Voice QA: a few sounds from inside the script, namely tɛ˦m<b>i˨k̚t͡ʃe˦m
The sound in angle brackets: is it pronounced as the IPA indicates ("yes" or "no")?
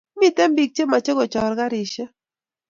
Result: yes